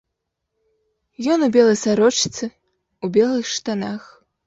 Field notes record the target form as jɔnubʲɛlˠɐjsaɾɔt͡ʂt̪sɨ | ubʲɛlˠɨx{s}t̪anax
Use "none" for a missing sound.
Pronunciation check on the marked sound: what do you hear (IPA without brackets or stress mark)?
ʂ